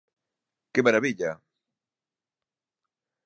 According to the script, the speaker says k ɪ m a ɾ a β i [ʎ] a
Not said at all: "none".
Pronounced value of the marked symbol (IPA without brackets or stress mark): ʎ